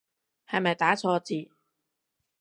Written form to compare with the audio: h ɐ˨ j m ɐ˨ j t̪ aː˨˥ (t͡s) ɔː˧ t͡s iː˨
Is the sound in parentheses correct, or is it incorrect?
incorrect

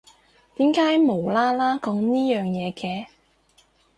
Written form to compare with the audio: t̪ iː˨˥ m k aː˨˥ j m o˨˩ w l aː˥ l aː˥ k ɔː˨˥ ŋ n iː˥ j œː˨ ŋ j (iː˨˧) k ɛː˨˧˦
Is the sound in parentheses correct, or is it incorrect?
incorrect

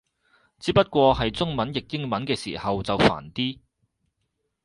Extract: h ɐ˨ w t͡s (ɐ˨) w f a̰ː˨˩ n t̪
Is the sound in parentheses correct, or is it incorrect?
correct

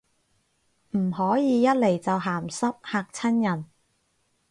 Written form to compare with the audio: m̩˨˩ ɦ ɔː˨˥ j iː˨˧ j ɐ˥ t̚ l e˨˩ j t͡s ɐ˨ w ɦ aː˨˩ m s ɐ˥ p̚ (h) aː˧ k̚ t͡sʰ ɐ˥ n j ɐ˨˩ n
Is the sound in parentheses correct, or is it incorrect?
correct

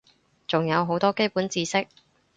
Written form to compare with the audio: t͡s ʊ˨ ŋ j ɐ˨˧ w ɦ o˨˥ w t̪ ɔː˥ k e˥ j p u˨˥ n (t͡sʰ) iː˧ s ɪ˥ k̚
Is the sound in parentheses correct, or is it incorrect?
incorrect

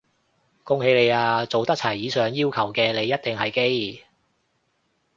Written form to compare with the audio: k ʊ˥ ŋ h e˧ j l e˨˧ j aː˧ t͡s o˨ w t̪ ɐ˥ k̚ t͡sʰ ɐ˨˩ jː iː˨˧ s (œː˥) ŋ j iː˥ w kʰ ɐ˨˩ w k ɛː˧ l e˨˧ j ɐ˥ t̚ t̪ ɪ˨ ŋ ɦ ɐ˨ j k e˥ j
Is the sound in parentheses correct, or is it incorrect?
incorrect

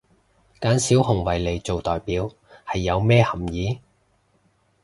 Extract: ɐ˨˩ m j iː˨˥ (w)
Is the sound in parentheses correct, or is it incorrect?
incorrect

